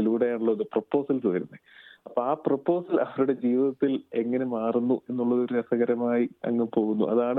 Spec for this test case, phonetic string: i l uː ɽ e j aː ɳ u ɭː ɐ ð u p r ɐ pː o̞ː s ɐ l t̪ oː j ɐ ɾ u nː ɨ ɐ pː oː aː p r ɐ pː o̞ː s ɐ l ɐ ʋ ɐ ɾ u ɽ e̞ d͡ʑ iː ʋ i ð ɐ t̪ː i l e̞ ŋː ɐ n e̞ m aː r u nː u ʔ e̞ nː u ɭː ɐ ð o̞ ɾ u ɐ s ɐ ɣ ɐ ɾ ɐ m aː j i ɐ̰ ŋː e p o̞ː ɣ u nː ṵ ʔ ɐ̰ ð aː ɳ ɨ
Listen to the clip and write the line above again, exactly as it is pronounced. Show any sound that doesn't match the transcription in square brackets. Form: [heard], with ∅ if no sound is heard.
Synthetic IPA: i l uː ɽ e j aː ɳ u ɭː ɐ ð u p r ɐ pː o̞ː s ɐ l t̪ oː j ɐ ɾ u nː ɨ ɐ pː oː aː p r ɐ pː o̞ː s ɐ l ɐ ʋ ɐ ɾ u ɽ e̞ d͡ʑ iː ʋ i ð ɐ t̪ː i l e̞ ŋː ɐ n e̞ m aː r u nː u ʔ e̞ nː u ɭː ɐ ð o̞ ɾ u ɐ s ɐ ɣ ɐ ɾ ɐ m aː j i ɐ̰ ŋː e p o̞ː ɣ u nː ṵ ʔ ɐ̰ ð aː ɳ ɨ